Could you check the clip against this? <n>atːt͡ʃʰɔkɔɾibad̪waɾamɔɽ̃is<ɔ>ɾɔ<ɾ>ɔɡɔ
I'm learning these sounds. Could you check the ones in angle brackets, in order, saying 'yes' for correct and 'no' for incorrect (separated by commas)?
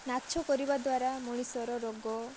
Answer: yes, yes, yes